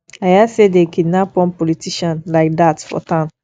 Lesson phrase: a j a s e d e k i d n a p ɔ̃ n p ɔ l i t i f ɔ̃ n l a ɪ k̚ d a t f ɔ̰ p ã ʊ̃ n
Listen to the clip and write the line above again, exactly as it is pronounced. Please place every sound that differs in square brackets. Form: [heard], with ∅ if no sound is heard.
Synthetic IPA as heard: a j a s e d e k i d n a p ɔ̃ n p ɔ l i t i [ʃ] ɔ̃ n l a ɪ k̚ d a t f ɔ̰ [t] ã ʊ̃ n